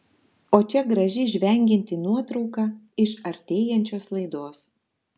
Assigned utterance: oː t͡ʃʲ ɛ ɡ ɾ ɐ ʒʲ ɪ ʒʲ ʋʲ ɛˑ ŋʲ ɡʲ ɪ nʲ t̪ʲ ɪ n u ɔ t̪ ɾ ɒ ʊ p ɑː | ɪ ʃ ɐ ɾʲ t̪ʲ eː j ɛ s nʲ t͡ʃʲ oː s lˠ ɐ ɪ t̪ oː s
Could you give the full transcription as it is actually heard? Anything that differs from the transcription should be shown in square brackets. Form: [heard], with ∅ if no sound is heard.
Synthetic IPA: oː t͡ʃʲ ɛ ɡ ɾ ɐ ʒʲ ɪ ʒʲ ʋʲ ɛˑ ŋʲ ɡʲ ɪ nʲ t̪ʲ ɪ n u ɔ t̪ ɾ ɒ ʊ [k] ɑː | ɪ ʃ ɐ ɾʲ t̪ʲ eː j ɛ [∅] nʲ t͡ʃʲ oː s lˠ ɐ ɪ [d̪] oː s